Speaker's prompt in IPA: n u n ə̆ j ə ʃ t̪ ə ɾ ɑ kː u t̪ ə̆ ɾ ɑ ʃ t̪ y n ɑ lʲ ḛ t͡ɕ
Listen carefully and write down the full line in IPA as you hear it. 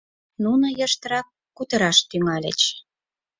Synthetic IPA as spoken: n u n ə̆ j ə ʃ t̪ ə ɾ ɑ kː u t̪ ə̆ ɾ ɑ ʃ t̪ y ŋ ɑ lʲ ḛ t͡ɕ